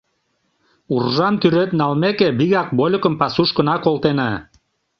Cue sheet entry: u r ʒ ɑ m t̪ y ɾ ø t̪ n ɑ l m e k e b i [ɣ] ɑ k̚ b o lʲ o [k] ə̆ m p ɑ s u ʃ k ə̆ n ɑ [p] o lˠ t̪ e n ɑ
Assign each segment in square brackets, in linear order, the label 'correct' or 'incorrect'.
correct, correct, incorrect: k

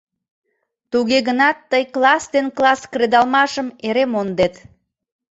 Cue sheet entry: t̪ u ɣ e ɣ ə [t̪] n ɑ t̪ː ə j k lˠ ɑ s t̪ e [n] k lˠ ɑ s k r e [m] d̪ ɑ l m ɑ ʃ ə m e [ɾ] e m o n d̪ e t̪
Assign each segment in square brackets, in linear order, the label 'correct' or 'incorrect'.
incorrect: none, correct, incorrect: none, correct

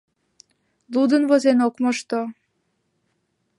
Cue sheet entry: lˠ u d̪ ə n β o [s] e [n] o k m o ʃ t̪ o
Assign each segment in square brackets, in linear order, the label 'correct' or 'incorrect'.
incorrect: z, correct

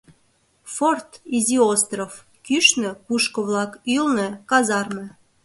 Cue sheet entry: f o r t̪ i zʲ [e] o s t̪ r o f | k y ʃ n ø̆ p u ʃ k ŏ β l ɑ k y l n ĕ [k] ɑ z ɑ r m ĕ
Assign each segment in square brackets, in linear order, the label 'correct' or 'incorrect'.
incorrect: i, correct

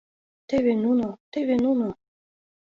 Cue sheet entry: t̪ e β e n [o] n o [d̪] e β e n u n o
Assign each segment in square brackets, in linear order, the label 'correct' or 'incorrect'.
incorrect: u, incorrect: t̪

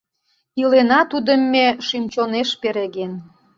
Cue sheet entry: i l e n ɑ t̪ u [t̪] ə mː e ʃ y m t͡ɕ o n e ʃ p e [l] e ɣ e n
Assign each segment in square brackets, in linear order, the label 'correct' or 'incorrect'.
incorrect: d̪, incorrect: ɾ

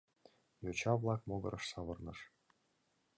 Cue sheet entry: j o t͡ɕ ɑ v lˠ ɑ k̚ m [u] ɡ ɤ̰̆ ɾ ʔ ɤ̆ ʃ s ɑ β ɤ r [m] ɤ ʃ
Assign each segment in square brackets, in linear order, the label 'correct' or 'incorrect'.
incorrect: o, incorrect: n

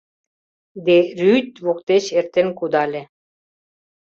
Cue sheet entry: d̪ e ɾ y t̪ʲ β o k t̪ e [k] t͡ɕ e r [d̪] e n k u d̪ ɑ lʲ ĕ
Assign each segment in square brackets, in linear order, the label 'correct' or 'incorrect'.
incorrect: none, incorrect: t̪

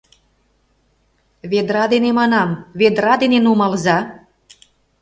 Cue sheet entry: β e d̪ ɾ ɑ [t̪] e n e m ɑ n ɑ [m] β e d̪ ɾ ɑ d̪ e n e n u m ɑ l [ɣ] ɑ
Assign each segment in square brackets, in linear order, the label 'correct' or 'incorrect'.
incorrect: d̪, correct, incorrect: z

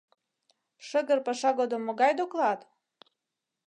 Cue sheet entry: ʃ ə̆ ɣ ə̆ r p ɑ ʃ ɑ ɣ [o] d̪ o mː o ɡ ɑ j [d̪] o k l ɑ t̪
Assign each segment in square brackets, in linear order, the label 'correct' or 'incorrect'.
correct, correct

